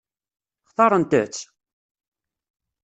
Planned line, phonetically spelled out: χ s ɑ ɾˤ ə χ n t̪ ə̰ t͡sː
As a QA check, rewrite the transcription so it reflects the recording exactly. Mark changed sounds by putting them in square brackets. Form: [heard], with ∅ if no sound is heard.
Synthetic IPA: χ [θ] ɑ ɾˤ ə [∅] n t̪ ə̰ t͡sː

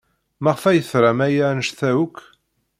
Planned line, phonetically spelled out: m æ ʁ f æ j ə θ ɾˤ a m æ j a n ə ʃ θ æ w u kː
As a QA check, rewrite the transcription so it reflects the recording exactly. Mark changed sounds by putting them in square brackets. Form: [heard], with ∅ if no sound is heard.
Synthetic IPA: m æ ʁ f æ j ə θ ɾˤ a m æ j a n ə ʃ θ æ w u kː

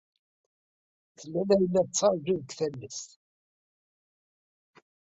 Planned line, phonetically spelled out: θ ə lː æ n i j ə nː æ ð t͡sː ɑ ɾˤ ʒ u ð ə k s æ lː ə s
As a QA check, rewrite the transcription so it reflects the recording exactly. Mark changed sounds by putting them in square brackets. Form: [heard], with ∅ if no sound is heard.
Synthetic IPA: θ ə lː æ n [æ] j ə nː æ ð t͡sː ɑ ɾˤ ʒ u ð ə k [θ] æ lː ə s

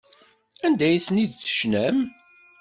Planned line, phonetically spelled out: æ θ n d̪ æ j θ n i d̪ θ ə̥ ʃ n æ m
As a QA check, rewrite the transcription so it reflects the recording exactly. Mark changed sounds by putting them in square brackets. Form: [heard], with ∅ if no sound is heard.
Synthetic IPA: æ [∅] n d̪ æ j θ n i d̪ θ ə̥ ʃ n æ m

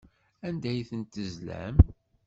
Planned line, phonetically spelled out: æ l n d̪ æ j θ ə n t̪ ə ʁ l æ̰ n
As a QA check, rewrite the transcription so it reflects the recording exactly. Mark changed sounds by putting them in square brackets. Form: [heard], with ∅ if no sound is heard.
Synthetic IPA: æ [∅] n d̪ æ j θ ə n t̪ ə [z] l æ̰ [m]

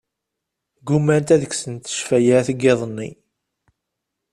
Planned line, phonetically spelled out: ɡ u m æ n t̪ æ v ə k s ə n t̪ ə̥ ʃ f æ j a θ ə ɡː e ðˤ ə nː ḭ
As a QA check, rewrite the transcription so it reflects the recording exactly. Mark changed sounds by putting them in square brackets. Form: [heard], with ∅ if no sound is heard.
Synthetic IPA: ɡ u m æ n t̪ æ [ð] ə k s ə n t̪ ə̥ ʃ f æ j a θ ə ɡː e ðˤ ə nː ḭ

